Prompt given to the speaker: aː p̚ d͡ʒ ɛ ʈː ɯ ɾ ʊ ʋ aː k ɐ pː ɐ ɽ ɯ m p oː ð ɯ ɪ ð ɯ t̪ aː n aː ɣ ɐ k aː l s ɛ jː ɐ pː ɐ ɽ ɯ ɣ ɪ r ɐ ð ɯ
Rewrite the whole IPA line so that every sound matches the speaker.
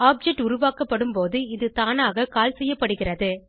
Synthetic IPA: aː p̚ d͡ʒ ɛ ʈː ʊ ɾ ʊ ʋ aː k ɐ pː ɐ ɽ ɯ m p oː ð ɯ ɪ ð ɯ t̪ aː n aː ɣ ɐ k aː l s ɛ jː ɐ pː ɐ ɽ ɯ ɣ ɪ r ɐ ð ɯ

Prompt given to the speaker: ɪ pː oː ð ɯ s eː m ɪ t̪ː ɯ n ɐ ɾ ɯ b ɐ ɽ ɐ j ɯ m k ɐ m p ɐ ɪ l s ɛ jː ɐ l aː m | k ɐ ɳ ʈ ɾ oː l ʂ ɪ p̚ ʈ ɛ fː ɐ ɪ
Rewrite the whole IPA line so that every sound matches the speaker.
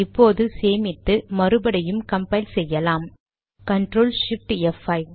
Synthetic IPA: ɪ pː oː ð ɯ s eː m ɪ t̪ː ɯ m ɐ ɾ ɯ b ɐ ɽ ɐ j ɯ m k ɐ m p ɐ ɪ l s ɛ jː ɐ l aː m | k ɐ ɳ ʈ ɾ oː l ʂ ɪ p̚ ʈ ɛ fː ɐ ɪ

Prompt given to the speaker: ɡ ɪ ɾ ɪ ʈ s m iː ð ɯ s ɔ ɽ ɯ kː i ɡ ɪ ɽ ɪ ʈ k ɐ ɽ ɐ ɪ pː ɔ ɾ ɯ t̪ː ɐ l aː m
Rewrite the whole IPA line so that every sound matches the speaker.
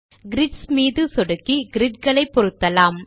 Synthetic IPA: ɡ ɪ ɾ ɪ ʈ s m iː ð ɯ s ɔ ɽ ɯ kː i ɡ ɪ ɾ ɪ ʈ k ɐ ɭ ɐ ɪ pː ɔ ɾ ɯ t̪ː ɐ l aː m

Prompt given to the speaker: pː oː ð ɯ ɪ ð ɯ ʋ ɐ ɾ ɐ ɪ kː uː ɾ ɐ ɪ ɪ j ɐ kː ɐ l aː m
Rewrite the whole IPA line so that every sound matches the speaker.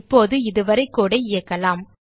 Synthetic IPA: pː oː ð ɯ ɪ ð ɯ ʋ ɐ ɾ ɐ ɪ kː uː ɽ ɐ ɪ ɪ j ɐ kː ɐ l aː m

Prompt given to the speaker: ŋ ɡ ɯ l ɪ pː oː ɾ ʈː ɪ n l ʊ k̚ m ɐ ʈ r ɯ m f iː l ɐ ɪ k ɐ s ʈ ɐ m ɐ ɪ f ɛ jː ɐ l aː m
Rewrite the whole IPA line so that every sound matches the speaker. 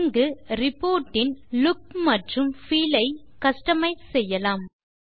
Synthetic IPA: ŋ ɡ ɯ ɾ ɪ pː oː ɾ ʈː ɪ n l ʊ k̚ m ɐ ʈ r ɯ m f iː l ɐ ɪ k ɐ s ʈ ɐ m ɐ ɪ s ɛ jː ɐ l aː m

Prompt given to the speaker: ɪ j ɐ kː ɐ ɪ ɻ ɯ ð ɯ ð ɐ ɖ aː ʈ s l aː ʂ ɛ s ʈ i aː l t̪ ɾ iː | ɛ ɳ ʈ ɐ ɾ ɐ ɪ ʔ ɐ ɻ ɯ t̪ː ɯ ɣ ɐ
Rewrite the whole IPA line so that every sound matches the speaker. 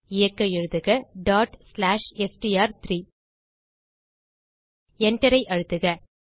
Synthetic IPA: ɪ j ɐ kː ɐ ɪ ɻ ɯ ð ɯ ɣ ɐ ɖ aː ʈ s l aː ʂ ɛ s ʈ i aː ɾ t̪ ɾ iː | ɛ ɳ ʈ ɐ ɾ ɐ ɪ ʔ ɐ ɻ ɯ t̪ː ɯ ɣ ɐ

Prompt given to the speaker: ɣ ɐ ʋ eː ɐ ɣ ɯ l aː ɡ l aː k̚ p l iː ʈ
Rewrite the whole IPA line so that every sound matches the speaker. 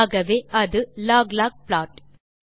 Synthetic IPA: ɣ ɐ ʋ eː ɐ ð ɯ l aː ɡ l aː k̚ p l aː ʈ

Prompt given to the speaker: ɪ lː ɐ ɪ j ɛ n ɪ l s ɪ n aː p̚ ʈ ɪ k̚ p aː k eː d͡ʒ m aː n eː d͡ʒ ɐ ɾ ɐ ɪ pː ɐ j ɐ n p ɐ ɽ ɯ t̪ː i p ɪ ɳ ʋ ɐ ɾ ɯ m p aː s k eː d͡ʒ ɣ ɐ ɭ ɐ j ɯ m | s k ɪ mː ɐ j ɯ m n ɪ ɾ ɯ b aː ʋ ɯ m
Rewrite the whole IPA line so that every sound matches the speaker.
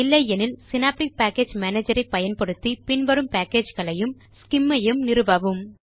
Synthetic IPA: ɪ lː ɐ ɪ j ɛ n ɪ l s ɪ n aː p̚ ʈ ɪ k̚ p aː k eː d͡ʒ m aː n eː d͡ʒ ɐ ɾ ɐ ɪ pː ɐ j ɐ n p ɐ ɽ ɯ t̪ː i p ɪ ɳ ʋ ɐ ɾ ɯ m p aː k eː d͡ʒ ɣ ɐ ɭ ɐ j ɯ m | s k ɪ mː ɐ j ɯ m n ɪ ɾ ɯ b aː ʋ ɯ m

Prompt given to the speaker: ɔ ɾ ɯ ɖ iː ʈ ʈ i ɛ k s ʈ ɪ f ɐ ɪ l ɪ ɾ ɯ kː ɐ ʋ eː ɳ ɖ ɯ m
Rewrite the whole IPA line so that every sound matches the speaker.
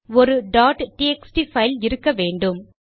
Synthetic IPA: ɔ ɾ ɯ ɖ aː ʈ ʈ i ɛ k s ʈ i f ɐ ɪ l ɪ ɾ ɯ kː ɐ ʋ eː ɳ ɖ ɯ m

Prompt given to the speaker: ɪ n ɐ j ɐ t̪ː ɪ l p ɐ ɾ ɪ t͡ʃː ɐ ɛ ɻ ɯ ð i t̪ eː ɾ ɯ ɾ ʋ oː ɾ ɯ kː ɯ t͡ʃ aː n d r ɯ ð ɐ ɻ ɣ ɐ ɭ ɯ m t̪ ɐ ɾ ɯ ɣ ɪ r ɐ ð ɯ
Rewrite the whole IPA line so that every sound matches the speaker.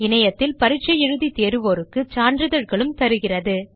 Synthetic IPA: ɪ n ɐ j ɐ t̪ː ɪ l p ɐ ɾ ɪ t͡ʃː ɐ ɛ ɻ ɯ ð i t̪ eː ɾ ɯ ʋ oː ɾ ɯ kː ɯ t͡ʃ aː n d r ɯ ð ɐ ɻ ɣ ɐ ɭ ɯ m t̪ ɐ ɾ ɯ ɣ ɪ r ɐ ð ɯ

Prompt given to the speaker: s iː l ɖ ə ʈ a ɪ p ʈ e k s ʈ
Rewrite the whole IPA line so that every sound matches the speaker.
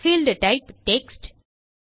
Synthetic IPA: f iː l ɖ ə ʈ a ɪ p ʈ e k s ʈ

